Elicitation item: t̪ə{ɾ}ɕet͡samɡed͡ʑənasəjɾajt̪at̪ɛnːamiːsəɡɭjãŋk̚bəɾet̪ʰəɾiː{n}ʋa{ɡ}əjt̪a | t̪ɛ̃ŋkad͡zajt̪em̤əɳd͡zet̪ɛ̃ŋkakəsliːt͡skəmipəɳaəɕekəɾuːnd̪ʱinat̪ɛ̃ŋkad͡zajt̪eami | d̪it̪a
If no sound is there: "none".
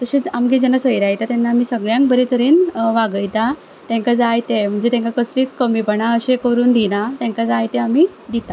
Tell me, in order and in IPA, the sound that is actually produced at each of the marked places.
none, n, ɡ

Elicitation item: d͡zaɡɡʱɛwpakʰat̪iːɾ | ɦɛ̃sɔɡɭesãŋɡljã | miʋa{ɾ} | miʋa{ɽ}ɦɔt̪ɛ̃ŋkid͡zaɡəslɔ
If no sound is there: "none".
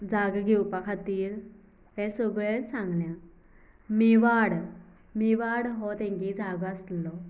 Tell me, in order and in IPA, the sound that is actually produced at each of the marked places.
ɽ, ɽ

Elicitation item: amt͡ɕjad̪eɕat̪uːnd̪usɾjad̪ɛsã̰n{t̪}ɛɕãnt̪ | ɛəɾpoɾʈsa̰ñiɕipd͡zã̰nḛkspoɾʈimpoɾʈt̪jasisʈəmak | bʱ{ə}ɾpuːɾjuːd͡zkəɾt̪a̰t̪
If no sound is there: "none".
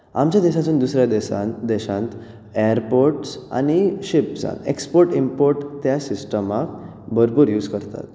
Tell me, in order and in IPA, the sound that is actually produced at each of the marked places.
d̪, ə

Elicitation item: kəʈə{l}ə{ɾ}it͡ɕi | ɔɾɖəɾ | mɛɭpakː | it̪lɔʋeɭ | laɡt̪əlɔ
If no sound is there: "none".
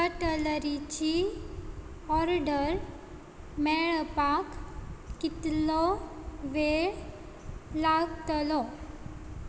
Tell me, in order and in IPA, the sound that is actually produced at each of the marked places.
l, ɾ

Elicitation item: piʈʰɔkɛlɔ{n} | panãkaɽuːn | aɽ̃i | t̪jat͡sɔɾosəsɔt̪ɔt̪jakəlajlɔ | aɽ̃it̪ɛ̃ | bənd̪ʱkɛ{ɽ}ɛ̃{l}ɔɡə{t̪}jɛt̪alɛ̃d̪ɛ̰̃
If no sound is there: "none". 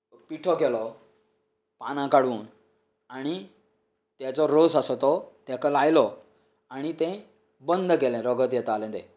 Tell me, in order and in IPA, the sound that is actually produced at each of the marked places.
none, l, ɾ, t̪

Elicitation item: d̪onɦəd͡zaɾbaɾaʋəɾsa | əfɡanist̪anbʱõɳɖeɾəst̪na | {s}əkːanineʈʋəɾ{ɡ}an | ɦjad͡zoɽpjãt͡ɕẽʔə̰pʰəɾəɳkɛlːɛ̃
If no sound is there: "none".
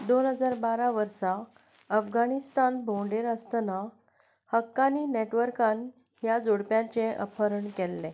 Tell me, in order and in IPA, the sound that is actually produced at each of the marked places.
h, k

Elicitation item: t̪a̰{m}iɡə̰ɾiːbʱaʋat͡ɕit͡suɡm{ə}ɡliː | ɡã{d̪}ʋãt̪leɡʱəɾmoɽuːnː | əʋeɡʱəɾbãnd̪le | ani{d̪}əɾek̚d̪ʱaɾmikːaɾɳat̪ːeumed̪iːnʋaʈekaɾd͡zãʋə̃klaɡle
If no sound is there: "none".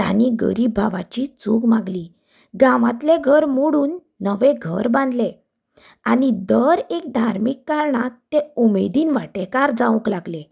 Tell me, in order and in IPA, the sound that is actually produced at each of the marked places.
n, a, none, d̪

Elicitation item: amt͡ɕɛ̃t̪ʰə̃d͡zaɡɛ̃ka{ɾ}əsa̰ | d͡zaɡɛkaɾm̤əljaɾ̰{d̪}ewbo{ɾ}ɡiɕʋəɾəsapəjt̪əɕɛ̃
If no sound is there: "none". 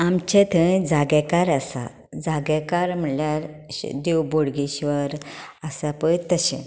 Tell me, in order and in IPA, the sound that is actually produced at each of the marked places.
ɾ, d̪, ɽ

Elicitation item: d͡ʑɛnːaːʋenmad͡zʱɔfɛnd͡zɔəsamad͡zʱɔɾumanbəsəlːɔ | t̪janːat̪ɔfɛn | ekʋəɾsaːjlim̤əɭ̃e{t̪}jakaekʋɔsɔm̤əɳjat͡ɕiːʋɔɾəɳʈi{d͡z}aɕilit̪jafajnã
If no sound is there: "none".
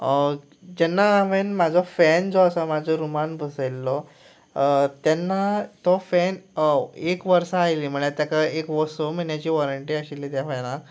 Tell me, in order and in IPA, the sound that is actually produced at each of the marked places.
t̪, none

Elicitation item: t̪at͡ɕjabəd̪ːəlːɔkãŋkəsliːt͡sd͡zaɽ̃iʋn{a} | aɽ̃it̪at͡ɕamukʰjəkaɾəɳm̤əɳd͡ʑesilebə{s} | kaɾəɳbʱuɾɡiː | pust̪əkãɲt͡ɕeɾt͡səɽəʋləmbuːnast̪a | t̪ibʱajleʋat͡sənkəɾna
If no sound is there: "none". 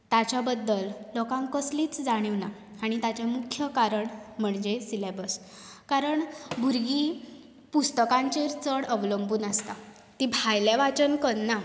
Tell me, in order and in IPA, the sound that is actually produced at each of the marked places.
a, s

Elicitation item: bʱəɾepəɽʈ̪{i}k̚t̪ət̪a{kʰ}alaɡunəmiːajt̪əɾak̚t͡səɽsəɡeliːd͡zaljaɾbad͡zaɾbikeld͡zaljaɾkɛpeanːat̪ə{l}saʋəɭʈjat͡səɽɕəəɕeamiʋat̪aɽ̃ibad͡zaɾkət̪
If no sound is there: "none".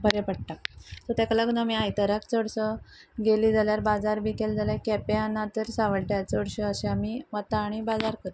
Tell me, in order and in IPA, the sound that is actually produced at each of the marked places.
a, k, ɾ

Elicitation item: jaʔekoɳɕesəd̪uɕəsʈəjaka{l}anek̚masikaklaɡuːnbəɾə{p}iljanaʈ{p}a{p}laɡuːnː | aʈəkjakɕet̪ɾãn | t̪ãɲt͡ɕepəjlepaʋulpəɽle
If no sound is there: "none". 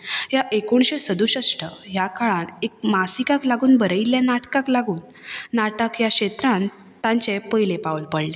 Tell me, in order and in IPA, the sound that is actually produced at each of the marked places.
ɭ, none, k, k

